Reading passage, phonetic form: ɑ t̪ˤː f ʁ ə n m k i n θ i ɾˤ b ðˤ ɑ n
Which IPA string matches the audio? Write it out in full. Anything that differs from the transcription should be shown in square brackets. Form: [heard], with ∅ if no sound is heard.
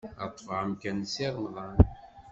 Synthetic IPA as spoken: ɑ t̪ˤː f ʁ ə [∅] m k [æ] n [s] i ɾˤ [m] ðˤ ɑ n